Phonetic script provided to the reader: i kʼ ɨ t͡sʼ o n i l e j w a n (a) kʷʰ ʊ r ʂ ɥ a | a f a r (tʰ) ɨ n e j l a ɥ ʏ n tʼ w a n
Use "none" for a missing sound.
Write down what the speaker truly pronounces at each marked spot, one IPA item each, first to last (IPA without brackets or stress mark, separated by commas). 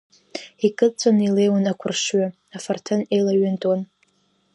a, tʰ